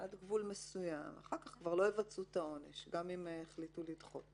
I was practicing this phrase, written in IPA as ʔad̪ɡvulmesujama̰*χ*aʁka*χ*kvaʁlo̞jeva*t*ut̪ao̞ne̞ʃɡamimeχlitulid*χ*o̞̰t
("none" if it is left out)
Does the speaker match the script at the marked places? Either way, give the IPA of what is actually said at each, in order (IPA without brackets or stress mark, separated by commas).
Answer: χ, χ, t͡s, χ